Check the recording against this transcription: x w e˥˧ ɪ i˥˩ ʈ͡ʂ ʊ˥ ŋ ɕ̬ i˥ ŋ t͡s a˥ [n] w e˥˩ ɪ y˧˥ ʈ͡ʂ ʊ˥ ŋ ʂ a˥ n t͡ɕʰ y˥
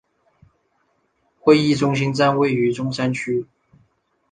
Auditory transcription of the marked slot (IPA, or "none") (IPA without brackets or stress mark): n